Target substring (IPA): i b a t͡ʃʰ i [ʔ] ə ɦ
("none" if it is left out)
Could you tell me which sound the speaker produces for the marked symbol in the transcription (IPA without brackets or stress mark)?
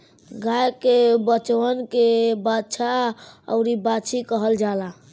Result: k